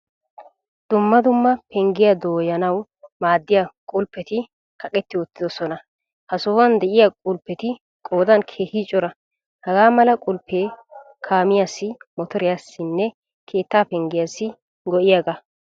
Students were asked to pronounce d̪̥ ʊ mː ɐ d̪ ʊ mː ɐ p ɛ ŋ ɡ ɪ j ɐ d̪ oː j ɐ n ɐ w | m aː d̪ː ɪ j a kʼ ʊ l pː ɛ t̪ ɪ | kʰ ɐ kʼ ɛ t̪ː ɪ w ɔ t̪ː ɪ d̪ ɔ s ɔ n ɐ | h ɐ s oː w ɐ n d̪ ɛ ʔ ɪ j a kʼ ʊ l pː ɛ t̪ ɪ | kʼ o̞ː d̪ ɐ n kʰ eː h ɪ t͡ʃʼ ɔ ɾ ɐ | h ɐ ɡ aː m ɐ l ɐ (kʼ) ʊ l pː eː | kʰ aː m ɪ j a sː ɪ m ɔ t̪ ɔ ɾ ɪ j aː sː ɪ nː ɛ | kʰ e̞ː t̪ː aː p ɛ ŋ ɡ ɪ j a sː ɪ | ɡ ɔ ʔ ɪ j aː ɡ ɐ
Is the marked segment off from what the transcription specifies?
no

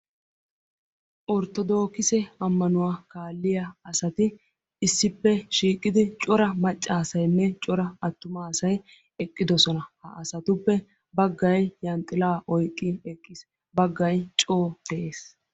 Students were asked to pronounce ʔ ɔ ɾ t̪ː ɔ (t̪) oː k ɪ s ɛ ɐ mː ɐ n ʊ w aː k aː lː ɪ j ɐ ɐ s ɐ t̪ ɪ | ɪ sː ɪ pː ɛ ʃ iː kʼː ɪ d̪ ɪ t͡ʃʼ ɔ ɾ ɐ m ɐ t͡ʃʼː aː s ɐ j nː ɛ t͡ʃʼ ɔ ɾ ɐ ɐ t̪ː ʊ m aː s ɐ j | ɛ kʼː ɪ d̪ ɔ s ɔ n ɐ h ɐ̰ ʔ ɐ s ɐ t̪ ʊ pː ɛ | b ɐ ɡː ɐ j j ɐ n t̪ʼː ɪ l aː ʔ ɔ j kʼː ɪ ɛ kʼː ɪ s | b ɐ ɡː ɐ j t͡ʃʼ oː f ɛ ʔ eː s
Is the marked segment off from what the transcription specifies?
yes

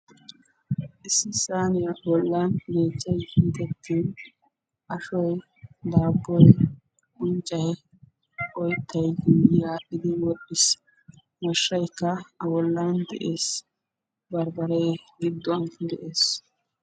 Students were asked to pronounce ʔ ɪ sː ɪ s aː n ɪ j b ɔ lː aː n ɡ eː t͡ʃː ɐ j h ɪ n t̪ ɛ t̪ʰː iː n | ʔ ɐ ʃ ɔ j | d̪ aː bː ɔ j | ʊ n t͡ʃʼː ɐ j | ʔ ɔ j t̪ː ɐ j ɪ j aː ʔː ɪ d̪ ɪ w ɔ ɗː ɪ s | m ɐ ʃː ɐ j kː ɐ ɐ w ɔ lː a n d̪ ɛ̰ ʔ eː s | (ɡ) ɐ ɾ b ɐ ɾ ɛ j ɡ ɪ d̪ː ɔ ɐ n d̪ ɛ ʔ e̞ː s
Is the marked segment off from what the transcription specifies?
yes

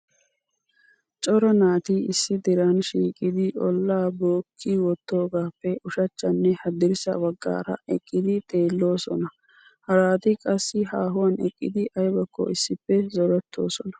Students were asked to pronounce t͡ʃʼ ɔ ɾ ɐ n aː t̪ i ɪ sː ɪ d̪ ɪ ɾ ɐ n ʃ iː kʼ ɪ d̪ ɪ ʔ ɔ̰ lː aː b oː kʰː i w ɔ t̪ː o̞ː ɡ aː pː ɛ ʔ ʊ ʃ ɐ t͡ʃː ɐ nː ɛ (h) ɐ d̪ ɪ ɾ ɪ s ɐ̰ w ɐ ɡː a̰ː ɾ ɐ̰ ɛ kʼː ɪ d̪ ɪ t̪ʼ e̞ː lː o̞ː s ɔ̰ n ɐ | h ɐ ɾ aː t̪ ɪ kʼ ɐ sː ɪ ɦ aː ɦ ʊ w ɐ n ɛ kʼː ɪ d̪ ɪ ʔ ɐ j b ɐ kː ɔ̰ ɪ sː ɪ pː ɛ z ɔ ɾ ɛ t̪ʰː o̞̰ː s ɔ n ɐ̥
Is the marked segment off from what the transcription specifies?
no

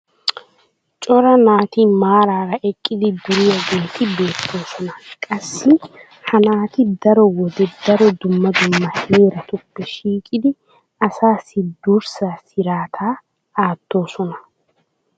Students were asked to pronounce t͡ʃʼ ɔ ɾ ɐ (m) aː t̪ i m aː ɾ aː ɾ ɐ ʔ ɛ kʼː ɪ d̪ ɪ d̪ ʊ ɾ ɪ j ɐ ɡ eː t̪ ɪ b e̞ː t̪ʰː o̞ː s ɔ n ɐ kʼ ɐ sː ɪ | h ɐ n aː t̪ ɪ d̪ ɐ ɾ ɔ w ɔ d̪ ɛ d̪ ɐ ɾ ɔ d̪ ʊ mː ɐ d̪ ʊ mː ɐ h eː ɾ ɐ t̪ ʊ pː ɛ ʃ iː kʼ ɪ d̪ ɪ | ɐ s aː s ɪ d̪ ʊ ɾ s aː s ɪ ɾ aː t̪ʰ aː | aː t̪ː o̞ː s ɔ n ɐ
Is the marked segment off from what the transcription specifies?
yes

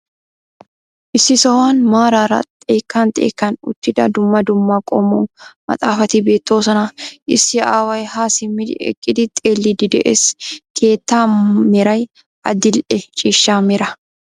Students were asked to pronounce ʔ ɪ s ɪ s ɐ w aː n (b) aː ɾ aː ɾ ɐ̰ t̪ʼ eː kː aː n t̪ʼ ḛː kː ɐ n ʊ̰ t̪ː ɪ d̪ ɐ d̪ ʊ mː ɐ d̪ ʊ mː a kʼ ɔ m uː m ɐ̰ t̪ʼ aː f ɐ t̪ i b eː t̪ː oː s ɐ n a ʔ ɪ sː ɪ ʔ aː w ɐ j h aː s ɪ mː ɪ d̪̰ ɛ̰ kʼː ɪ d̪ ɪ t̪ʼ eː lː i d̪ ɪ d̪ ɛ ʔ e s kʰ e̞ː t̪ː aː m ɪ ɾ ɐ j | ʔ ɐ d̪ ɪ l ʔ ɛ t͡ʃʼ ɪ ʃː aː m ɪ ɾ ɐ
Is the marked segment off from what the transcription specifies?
yes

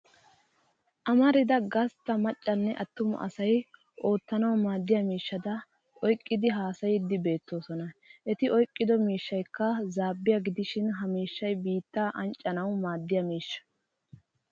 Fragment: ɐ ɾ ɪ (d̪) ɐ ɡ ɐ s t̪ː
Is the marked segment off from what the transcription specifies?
no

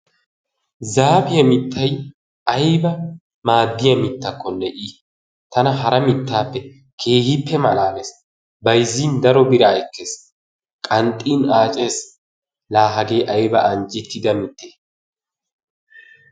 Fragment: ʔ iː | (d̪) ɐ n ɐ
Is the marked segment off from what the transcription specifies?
yes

